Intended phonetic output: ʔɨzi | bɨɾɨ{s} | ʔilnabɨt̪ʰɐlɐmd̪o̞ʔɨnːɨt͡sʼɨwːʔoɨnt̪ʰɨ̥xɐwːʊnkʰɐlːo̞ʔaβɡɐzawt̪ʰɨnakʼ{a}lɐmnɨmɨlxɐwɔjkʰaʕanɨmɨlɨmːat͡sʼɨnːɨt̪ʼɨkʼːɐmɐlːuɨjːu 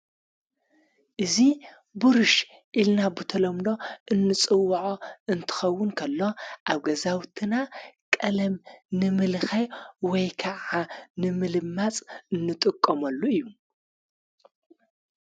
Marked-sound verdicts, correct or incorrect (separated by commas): incorrect, incorrect